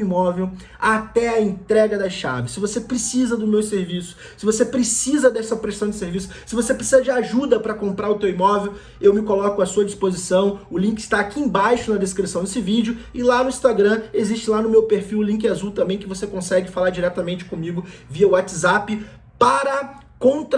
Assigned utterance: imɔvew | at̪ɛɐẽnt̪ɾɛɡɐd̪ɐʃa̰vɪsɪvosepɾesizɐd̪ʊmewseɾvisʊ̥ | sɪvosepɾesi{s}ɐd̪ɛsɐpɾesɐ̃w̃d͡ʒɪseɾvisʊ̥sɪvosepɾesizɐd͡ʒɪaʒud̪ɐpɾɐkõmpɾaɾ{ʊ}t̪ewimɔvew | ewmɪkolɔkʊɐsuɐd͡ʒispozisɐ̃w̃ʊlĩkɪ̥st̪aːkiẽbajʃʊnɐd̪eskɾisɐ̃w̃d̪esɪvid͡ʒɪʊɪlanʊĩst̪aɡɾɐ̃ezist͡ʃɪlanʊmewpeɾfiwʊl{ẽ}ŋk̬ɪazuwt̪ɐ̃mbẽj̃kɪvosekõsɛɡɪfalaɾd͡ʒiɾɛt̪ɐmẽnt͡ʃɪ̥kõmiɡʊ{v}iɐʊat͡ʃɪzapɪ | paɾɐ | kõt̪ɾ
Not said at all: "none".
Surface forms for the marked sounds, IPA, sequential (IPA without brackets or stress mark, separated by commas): z, ʊ, ĩ, v